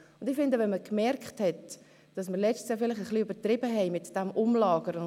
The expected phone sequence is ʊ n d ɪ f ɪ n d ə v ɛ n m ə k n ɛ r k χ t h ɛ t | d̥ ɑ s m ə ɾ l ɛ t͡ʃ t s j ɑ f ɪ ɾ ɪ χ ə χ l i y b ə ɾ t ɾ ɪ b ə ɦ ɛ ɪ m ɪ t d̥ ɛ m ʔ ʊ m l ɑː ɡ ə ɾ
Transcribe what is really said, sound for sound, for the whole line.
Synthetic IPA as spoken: ʊ n d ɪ f ɪ n d ə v ɛ n m ə k m ɛ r k χ t h ɛ t | d̥ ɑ s m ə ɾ l ɛ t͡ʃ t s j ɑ f ɪ l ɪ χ ə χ l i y b ə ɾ t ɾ ɪ b ə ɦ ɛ ɪ m ɪ t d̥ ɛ m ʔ ʊ m l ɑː ɡ ə ɾ